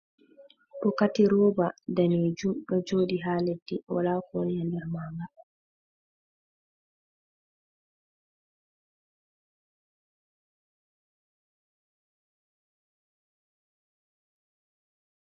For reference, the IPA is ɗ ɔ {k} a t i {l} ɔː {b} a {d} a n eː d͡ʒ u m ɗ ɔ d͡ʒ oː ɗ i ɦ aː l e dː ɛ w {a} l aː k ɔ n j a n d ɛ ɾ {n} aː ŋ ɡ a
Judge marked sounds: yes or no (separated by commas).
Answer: yes, no, yes, yes, yes, no